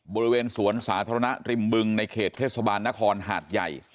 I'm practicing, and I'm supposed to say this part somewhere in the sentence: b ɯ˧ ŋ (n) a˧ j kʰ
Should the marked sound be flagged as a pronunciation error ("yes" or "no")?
no